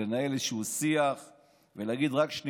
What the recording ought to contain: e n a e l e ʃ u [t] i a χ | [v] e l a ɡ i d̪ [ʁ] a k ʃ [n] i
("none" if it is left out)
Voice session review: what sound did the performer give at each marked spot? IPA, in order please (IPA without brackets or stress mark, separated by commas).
s, v, ʁ, n